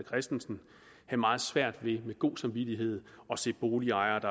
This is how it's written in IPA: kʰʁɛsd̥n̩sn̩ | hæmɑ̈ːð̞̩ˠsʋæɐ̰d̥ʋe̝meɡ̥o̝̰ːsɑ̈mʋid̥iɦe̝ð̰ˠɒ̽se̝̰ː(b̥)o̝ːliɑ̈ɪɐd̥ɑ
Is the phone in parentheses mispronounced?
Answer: no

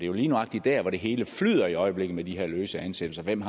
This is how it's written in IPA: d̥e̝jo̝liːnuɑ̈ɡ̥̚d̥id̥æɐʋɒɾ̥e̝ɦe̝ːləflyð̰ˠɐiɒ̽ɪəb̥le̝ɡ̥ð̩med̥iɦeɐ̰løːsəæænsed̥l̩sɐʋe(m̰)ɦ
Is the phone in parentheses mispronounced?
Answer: no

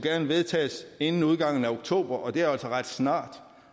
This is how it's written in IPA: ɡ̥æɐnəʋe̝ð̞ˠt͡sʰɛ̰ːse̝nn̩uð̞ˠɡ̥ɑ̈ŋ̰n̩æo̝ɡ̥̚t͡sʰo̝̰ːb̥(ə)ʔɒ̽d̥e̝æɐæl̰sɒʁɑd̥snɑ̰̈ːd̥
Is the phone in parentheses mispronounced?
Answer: yes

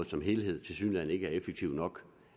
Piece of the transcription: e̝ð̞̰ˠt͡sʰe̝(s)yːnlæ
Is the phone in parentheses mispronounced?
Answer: no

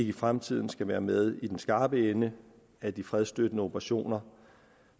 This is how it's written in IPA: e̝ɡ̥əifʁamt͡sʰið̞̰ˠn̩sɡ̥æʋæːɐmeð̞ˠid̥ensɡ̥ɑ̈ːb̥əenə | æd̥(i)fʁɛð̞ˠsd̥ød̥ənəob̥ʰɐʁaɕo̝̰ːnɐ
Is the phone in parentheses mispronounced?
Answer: no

